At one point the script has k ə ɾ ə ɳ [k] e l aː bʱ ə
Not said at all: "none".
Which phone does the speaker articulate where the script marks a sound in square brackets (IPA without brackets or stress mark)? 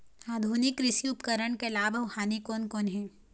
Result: k